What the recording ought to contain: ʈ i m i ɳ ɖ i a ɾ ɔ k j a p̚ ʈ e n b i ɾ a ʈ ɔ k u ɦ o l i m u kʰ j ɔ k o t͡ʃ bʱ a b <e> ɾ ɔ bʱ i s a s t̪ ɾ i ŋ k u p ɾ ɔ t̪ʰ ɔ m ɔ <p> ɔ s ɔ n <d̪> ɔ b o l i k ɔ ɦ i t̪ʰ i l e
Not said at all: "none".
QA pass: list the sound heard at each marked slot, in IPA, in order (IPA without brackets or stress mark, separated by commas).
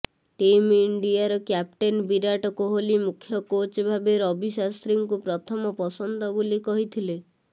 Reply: e, p, d̪